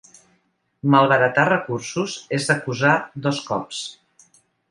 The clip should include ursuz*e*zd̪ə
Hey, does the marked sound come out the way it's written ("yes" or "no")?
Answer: yes